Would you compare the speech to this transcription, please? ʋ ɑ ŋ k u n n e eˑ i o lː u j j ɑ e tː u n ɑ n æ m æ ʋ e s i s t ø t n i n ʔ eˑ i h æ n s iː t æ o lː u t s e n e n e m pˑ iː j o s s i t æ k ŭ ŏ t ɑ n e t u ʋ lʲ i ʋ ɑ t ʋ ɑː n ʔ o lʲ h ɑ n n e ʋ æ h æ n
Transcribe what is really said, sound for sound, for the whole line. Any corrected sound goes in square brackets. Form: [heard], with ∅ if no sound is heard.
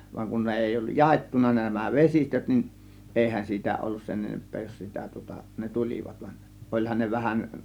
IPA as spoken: ʋ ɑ ŋ k u n n e eˑ i o lː u j j ɑ e tː u n ɑ n æ m æ ʋ e s i s t ø t n i n ʔ eˑ i h æ n s iː t æ o lː u [s] s e n e n e m pˑ [eː] j o s s i t æ [t] ŭ ŏ t ɑ n e t u [∅] lʲ i ʋ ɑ t ʋ [ɑ] n ʔ o lʲ h ɑ n n e ʋ æ h æ n